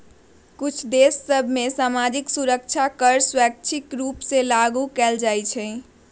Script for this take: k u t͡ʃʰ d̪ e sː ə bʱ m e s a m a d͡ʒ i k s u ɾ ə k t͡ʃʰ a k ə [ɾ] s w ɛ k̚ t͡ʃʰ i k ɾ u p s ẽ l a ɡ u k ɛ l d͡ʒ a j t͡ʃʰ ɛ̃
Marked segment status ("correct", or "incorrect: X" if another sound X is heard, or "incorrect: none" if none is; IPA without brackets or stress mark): correct